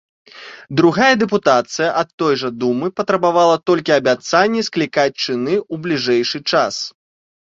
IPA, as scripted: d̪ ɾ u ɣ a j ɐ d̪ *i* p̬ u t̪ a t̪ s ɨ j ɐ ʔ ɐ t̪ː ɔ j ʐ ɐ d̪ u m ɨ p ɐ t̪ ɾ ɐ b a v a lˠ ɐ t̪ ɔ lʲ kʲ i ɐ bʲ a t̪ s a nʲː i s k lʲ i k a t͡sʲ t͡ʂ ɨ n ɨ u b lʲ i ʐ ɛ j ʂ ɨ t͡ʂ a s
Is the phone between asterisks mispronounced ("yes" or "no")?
yes